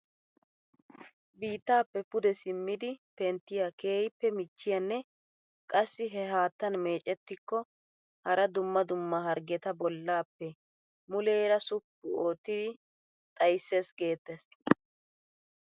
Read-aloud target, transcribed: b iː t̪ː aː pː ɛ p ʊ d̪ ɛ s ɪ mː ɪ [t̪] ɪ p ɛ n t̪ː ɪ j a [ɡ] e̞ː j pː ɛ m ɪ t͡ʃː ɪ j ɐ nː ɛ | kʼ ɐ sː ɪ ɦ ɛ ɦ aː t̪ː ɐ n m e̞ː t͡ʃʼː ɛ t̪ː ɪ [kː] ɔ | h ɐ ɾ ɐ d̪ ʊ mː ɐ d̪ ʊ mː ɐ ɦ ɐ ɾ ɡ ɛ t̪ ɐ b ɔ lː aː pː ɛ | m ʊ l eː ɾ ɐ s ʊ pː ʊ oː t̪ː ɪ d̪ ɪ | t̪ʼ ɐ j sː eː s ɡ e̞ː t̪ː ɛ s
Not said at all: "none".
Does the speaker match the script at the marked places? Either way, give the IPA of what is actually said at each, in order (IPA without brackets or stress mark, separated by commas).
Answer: d̪, k, kː